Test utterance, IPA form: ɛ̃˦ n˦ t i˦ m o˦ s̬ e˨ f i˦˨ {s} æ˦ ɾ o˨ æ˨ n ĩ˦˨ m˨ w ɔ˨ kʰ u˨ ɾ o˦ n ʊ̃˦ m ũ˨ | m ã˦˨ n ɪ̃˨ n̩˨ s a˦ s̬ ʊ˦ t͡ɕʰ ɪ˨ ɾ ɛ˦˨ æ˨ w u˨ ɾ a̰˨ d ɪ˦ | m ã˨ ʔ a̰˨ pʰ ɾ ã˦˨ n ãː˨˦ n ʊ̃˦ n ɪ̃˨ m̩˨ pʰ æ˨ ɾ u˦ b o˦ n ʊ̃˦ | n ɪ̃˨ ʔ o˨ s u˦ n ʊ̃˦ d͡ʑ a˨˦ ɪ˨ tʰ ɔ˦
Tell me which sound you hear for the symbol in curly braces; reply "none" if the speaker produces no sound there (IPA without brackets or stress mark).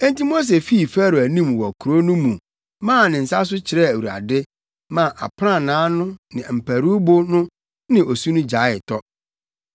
f